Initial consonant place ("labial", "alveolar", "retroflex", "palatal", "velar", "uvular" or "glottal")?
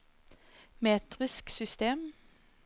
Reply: labial